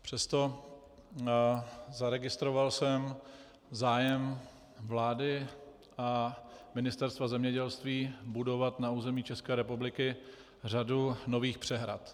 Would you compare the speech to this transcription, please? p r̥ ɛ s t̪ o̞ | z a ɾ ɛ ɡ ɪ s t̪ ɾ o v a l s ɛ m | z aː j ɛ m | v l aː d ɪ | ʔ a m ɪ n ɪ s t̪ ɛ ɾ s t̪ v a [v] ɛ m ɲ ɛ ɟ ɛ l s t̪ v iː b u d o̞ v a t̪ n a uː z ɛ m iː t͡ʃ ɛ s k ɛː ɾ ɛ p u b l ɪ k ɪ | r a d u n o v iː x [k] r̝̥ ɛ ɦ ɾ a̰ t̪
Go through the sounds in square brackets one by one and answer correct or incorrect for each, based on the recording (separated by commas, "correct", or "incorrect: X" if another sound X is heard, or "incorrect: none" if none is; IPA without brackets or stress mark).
incorrect: z, incorrect: p